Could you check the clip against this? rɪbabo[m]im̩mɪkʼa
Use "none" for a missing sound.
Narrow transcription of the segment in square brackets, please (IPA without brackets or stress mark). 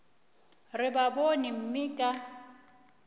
n